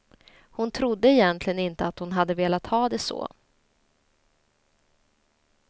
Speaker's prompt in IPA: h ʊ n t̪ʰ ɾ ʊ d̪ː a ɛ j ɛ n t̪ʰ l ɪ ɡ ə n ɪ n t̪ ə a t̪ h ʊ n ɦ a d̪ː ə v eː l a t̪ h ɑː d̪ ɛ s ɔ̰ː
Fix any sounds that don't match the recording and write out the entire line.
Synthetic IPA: h ʊ n t̪ʰ ɾ ʊ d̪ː ə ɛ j ɛ n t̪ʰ l ɪ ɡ ə n ɪ n t̪ ə a t̪ h ʊ n ɦ a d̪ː ə v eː l a t̪ h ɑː d̪ ɛ s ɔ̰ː

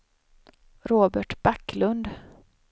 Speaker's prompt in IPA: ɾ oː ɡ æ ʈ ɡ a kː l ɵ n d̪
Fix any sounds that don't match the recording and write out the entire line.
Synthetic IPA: ɾ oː b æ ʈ b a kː l ɵ n d̪

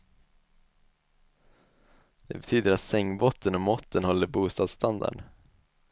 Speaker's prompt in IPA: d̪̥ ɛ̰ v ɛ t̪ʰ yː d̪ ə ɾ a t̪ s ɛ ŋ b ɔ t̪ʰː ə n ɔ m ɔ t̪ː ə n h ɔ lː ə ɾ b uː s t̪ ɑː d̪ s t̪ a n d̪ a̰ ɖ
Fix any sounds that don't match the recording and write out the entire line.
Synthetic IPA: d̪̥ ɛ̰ b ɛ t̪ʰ yː d̪ ə ɾ a t̪ s ɛ ŋ b ɔ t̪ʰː ə n ɔ m ɔ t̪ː ə n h ɔ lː ə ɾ b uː s t̪ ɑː d̪ s t̪ a n d̪ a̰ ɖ

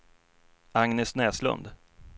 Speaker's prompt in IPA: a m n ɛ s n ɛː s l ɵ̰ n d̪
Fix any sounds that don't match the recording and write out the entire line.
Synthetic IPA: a ŋ n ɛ s n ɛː s l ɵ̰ n d̪

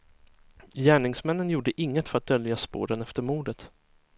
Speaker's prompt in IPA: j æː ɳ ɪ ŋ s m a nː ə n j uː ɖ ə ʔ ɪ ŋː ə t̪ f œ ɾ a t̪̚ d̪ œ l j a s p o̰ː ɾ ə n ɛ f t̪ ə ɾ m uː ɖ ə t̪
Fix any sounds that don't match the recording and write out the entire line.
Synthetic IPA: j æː ɳ ɪ ŋ s m ɛ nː ə n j uː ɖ ə ʔ ɪ ŋː ə t̪ f œ ɾ a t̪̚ d̪ œ l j a s p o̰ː ɾ ə n ɛ f t̪ ə ɾ m uː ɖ ə t̪

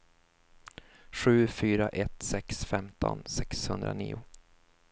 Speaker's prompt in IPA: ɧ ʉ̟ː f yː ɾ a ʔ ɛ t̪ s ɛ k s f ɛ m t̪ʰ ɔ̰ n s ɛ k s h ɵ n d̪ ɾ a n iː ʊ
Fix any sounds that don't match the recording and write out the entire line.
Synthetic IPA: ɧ ʉ̟ː f yː ɾ a ʔ ɛ t̪ s ɛ k s f ɛ m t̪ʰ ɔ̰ n s ɛ k s h ɵ n d̪ ɾ a n iː ʊ

